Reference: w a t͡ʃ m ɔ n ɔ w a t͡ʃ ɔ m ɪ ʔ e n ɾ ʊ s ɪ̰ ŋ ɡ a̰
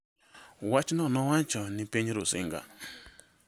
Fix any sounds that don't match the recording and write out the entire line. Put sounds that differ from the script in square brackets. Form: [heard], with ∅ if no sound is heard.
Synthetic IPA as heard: w a t͡ʃ [n] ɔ n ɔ w a t͡ʃ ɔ [n] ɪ [p] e [ɲ] ɾ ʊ s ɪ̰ ŋ ɡ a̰

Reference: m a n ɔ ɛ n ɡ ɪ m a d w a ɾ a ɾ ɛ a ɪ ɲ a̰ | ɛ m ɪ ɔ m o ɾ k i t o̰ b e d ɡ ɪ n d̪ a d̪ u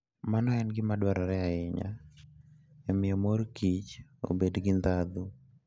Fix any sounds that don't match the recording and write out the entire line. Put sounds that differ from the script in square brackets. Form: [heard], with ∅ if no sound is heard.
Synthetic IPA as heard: m a n ɔ ɛ n ɡ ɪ m a d w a ɾ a ɾ ɛ a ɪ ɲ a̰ | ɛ m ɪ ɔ m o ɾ k i [t͡ʃ] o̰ b e d ɡ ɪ n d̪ a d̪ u

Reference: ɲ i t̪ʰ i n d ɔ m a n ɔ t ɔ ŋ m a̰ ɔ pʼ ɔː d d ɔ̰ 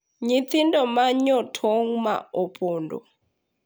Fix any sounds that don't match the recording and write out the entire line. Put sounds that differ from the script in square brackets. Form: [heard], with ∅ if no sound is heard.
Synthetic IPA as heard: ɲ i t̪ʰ i n d ɔ m a [ɲ] ɔ [tʰ] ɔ ŋ m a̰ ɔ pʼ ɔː [n] d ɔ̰

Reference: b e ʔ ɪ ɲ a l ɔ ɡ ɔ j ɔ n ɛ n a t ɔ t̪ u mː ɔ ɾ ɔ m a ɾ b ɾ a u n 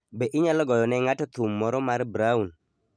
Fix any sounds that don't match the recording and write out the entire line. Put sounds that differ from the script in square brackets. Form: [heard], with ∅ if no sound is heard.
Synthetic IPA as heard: b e ʔ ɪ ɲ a l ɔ ɡ ɔ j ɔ n ɛ [ŋ] a t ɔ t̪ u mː ɔ ɾ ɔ m a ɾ b ɾ a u n

